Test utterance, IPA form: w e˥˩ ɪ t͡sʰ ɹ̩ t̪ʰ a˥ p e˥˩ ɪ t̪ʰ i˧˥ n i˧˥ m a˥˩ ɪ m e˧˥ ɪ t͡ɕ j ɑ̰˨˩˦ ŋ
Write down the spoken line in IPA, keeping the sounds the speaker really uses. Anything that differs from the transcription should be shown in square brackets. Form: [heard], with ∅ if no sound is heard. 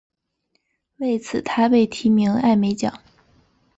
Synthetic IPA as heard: w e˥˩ ɪ t͡sʰ ɹ̩ t̪ʰ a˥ p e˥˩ ɪ t̪ʰ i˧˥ [m] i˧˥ [ŋ] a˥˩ ɪ m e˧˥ ɪ t͡ɕ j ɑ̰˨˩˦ ŋ